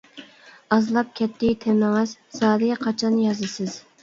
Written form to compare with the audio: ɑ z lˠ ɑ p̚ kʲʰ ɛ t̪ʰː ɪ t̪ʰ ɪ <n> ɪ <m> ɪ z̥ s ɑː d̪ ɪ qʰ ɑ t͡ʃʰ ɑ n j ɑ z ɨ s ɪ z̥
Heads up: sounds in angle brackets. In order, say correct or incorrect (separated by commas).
incorrect, incorrect